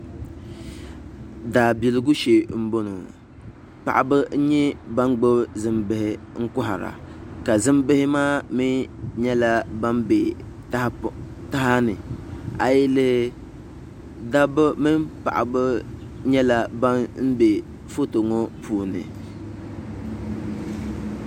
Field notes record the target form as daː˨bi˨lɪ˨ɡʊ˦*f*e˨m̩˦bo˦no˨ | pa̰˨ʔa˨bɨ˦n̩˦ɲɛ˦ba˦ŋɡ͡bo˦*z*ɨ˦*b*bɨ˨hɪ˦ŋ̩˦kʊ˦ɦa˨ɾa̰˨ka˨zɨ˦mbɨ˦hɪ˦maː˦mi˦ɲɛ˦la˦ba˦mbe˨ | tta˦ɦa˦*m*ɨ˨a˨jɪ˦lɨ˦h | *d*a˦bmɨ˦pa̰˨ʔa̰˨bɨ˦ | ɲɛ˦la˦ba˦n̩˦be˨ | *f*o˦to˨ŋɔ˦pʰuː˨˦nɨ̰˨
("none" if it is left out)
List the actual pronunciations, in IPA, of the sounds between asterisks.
ʃ, z, m, n, d, f

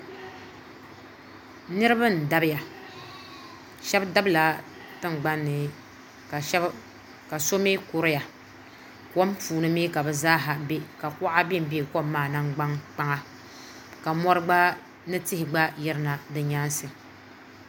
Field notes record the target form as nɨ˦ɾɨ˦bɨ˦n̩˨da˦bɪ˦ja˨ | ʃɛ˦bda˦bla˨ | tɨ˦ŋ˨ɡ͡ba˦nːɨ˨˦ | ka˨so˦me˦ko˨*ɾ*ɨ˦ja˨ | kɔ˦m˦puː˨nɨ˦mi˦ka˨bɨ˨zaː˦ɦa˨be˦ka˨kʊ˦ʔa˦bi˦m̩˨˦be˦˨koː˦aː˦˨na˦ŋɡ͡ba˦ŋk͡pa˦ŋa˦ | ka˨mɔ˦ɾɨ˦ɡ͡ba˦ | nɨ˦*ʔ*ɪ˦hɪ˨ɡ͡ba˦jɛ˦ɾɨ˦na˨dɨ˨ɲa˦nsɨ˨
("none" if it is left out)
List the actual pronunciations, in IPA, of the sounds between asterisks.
ɾ, t

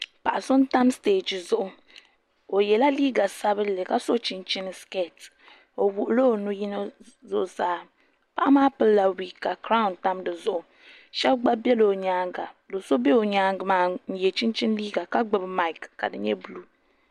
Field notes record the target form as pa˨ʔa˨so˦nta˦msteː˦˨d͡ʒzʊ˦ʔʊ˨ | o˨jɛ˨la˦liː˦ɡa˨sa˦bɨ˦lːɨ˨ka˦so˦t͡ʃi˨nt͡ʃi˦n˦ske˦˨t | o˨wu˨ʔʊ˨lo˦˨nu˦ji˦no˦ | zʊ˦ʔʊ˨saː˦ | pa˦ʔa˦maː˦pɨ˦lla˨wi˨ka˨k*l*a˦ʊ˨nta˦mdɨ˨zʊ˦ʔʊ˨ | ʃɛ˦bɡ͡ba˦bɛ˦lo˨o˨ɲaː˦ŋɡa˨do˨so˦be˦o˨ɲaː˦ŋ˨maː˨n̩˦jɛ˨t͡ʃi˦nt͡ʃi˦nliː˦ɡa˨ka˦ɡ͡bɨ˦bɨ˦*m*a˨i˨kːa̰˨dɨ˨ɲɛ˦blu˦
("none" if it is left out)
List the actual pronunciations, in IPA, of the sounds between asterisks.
ɾ, m

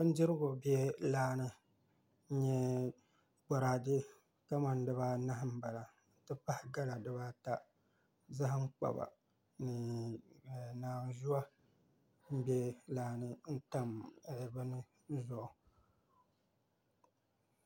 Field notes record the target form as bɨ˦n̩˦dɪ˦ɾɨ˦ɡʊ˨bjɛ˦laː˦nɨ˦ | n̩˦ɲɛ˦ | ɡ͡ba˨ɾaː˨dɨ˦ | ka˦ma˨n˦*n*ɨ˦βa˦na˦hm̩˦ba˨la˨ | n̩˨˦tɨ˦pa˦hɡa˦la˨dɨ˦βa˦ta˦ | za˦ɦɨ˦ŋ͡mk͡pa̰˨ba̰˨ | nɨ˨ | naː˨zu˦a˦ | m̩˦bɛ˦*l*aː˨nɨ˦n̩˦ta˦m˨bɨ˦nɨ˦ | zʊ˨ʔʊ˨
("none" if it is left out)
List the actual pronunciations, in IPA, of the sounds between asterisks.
d, l

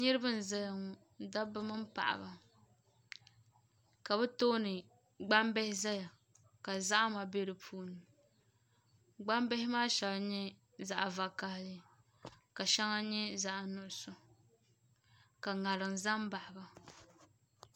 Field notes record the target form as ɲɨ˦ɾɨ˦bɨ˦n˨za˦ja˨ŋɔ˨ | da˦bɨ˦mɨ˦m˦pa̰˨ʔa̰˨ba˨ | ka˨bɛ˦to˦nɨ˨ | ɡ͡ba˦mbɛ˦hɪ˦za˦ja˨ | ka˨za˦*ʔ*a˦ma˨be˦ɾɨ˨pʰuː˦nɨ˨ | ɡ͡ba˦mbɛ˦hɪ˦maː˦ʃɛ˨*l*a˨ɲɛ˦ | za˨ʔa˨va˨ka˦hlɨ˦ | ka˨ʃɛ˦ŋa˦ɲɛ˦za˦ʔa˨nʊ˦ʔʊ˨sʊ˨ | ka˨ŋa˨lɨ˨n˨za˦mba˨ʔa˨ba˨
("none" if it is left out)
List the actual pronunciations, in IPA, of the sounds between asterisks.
ʔ, l

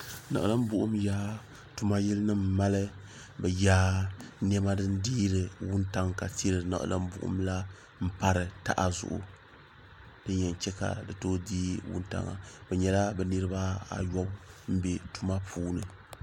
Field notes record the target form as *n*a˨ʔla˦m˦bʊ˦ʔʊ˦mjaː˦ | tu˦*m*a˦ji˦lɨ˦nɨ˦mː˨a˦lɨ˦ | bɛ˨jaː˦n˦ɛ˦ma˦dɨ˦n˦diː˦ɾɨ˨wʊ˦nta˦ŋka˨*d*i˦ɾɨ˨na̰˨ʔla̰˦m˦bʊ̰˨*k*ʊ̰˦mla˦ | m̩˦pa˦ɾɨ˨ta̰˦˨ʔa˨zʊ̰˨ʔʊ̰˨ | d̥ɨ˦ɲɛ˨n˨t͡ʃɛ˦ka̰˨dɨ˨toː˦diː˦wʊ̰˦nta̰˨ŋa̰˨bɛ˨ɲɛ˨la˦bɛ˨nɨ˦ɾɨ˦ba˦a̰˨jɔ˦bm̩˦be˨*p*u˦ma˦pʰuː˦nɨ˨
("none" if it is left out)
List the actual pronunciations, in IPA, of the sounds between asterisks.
n, m, t, ʔ, t

